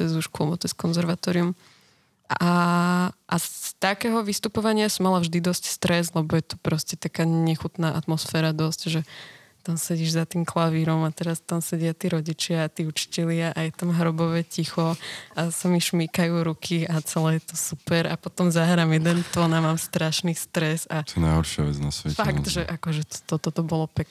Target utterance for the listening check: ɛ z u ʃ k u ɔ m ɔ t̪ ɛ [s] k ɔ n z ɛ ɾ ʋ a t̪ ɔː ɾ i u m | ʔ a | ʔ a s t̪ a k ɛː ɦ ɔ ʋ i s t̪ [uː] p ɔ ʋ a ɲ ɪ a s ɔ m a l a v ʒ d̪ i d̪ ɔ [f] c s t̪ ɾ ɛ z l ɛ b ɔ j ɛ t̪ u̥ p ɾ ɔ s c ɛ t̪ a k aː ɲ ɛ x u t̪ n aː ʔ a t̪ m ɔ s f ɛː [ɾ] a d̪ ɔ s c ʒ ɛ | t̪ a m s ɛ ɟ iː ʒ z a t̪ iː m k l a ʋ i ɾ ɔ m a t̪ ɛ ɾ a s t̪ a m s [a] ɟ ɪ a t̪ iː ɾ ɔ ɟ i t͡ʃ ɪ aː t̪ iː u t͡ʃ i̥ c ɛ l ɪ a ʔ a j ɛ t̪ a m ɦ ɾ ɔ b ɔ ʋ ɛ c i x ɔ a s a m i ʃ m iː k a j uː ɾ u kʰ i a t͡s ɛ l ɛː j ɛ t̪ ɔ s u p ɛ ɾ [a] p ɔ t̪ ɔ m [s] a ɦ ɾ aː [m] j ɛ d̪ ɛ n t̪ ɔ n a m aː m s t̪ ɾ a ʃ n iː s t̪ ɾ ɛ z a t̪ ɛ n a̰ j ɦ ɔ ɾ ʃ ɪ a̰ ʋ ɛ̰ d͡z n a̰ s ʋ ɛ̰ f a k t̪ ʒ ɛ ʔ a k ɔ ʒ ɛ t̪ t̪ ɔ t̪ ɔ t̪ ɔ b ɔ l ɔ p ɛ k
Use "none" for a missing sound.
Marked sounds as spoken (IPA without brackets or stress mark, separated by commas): s, u, s, ɾ, ɛ, a, z, m